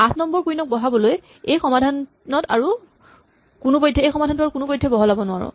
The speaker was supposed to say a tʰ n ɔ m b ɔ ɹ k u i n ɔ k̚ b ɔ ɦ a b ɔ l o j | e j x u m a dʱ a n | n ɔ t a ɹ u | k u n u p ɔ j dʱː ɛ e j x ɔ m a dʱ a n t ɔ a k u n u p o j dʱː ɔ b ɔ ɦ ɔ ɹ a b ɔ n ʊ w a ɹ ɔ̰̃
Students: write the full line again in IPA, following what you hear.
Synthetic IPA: a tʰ n ɔ m b ɔ ɹ k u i n ɔ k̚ b ɔ ɦ a b ɔ l o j | e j x ɔ m a dʱ a n | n ɔ t a ɹ u | k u n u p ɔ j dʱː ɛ e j x ɔ m a dʱ a n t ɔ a k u n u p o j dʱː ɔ b ɔ ɦ ɔ l a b ɔ n ʊ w a ɹ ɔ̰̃